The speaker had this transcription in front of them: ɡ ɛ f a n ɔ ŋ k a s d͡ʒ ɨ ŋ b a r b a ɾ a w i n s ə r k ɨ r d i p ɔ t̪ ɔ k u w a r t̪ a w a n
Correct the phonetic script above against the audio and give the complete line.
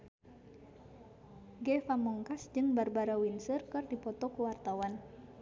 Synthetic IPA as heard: ɡ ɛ f a m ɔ ŋ k a s d͡ʒ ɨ ŋ b a r b a ɾ a w i n s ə r k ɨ r d i p ɔ t̪ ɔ k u w a r t̪ a w a n